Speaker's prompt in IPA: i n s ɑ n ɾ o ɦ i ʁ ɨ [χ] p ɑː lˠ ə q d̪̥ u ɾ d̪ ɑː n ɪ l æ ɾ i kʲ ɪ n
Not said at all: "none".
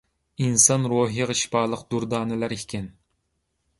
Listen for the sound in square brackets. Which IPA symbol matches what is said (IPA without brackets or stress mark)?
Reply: ʃ